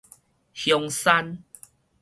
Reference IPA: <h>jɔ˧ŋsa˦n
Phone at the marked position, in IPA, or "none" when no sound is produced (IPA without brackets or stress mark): h